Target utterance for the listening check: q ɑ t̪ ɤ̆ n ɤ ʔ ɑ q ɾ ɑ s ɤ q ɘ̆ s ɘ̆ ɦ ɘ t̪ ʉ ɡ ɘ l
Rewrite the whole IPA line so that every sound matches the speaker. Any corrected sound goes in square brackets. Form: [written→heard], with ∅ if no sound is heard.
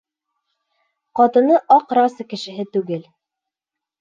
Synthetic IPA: q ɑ t̪ ɤ̆ n ɤ ʔ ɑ q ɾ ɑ s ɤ [q→k] ɘ̆ [s→ʃ] ɘ̆ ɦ ɘ t̪ ʉ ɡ ɘ l

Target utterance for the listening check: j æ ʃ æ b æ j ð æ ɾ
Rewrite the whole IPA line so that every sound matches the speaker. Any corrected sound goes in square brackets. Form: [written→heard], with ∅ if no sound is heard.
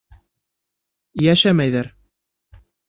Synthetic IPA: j æ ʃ æ [b→m] æ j ð æ ɾ

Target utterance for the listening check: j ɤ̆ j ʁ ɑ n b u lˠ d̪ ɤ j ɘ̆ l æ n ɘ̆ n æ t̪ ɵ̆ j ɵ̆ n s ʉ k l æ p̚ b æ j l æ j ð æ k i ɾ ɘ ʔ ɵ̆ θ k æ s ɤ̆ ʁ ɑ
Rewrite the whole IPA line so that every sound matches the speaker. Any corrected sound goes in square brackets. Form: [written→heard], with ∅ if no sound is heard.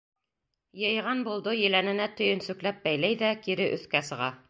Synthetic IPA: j ɤ̆ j ʁ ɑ n b u lˠ d̪ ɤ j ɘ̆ l æ n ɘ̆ n æ t̪ ɵ̆ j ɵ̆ n s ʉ k l æ p̚ b æ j l æ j ð æ k i ɾ ɘ ʔ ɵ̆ θ k æ s ɤ̆ ʁ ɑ

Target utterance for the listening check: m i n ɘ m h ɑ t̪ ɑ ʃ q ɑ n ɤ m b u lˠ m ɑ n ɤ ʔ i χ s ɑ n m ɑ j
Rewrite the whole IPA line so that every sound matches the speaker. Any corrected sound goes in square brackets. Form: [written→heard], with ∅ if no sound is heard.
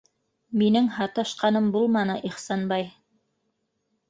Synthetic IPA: m i n ɘ [m→ŋ] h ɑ t̪ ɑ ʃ q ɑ n ɤ m b u lˠ m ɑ n ɤ ʔ i χ s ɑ n [m→b] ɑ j

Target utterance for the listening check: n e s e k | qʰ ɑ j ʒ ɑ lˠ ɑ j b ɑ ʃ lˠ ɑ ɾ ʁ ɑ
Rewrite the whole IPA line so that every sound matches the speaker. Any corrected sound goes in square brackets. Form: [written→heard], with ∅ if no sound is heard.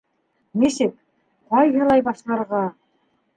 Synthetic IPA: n e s e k | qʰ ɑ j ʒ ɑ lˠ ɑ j b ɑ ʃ lˠ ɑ ɾ ʁ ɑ

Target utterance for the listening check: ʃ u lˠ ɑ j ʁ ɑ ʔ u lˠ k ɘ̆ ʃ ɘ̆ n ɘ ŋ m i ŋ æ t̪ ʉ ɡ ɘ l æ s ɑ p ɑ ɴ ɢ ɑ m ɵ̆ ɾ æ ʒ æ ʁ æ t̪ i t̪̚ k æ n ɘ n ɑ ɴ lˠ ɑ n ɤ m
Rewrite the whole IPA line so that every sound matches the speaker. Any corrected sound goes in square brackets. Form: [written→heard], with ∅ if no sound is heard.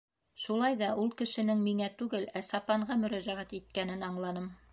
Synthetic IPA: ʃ u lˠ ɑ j [ʁ→ð] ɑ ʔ u lˠ k ɘ̆ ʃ ɘ̆ n ɘ ŋ m i ŋ æ t̪ ʉ ɡ ɘ l æ s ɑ p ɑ ɴ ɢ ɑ m ɵ̆ ɾ æ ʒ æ ʁ æ t̪ i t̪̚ k æ n ɘ n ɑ ɴ lˠ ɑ n ɤ m

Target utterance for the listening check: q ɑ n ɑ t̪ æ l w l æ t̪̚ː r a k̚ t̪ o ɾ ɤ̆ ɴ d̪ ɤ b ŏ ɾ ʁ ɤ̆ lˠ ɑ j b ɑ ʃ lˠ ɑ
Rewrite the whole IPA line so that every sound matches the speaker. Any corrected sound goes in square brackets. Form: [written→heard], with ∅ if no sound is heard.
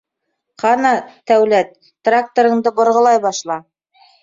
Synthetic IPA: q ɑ n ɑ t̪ æ [l→∅] w l æ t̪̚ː r a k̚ t̪ o ɾ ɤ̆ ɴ d̪ ɤ b ŏ ɾ ʁ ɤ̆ lˠ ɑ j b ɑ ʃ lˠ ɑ

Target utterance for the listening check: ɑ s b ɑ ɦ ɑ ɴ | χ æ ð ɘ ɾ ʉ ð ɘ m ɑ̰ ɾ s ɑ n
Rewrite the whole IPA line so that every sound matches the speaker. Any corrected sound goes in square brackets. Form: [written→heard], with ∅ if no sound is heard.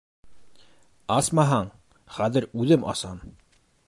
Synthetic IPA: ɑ s [b→m] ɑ ɦ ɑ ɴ | χ æ ð ɘ ɾ ʉ ð ɘ m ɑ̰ [ɾ→∅] s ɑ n

